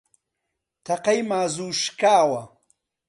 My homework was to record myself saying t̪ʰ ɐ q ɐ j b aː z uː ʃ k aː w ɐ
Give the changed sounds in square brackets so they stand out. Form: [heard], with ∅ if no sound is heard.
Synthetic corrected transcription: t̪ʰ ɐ q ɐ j [m] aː z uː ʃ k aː w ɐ